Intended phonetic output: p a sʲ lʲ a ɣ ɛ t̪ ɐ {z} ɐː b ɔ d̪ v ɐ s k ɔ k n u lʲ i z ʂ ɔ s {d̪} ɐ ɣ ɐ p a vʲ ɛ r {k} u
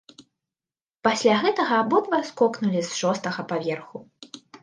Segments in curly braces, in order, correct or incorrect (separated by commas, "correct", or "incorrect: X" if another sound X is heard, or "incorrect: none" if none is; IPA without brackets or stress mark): incorrect: ɣ, incorrect: t̪, incorrect: x